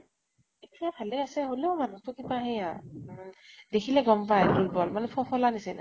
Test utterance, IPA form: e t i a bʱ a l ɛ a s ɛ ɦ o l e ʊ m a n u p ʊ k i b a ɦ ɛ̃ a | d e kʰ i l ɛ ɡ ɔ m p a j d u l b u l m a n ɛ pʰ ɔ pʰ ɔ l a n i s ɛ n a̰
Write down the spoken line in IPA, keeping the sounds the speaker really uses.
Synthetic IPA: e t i a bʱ a l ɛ a s ɛ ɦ o l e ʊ m a n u t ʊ k i b a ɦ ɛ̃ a | d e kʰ i l ɛ ɡ ɔ m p a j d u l b ɔ l m a n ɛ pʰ ɔ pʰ ɔ l a n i s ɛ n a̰